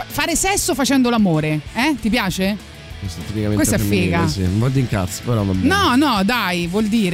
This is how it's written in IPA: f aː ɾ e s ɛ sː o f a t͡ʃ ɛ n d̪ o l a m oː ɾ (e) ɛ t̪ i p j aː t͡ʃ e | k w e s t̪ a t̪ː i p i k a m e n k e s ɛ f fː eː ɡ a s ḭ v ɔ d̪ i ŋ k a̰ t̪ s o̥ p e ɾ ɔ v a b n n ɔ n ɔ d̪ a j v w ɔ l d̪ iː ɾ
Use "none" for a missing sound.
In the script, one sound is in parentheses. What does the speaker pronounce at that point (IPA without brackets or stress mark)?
e